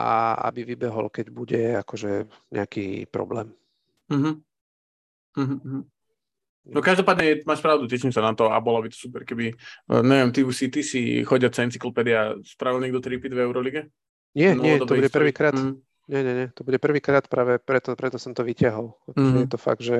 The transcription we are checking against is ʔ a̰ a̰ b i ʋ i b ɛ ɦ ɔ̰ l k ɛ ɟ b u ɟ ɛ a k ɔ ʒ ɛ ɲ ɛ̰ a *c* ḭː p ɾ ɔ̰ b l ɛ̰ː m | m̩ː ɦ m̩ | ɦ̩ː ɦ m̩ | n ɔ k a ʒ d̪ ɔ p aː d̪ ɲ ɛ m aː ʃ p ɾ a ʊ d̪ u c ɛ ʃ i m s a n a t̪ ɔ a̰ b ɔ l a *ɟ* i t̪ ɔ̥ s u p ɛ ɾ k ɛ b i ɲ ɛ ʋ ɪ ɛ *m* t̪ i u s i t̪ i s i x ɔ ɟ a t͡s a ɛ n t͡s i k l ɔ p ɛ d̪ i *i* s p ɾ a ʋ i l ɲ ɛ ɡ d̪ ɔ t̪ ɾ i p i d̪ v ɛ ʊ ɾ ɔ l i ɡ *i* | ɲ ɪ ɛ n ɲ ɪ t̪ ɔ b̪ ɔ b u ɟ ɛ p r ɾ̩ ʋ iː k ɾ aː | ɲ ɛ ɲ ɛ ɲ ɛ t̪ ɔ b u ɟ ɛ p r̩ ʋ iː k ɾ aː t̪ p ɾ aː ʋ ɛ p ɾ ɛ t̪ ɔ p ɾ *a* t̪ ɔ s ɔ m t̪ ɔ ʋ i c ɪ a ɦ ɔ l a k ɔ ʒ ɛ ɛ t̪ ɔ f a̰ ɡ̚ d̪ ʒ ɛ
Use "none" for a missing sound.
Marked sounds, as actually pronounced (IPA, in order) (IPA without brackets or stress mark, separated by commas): k, b, m, a, ɛ, ɛ